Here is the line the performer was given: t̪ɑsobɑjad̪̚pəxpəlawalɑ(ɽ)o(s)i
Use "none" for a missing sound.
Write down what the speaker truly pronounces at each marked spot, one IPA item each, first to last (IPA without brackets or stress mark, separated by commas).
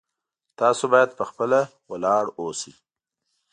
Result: ɽ, s